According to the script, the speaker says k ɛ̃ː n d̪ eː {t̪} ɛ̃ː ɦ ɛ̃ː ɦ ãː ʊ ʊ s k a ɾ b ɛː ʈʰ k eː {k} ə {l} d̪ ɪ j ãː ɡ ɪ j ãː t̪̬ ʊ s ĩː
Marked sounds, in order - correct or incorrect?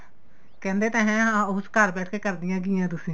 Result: correct, correct, incorrect

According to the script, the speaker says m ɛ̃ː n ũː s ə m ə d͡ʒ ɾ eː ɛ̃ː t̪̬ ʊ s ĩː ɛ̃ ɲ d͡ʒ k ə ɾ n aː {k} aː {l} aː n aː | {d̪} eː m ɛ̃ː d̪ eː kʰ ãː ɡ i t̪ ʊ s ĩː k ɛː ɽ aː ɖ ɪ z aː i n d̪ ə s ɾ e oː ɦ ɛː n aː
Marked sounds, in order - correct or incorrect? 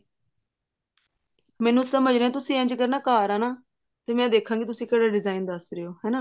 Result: correct, incorrect, incorrect

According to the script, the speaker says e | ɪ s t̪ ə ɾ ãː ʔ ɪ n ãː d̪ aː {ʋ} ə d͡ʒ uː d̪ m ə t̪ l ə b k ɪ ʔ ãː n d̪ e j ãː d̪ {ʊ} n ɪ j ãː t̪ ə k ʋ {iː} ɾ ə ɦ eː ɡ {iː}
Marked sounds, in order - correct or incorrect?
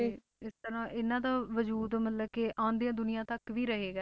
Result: correct, correct, correct, incorrect

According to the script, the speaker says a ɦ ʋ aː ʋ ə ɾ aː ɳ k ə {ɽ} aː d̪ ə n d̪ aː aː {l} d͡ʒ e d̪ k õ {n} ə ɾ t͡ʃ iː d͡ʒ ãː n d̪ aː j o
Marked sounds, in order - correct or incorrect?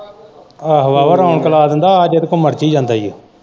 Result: incorrect, incorrect, incorrect

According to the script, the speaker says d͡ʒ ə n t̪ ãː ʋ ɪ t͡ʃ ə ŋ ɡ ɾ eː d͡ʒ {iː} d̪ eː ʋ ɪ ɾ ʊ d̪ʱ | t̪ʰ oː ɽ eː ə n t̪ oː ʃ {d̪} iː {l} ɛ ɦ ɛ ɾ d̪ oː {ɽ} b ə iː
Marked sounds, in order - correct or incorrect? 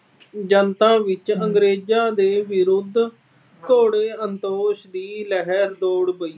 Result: incorrect, correct, correct, correct

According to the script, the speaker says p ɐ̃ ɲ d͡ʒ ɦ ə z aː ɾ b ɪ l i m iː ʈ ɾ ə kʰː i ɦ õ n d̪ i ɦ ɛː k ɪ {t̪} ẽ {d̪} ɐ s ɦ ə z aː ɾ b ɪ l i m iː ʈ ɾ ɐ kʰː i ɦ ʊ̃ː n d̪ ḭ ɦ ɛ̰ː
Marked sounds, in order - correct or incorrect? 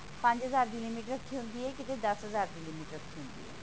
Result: correct, correct

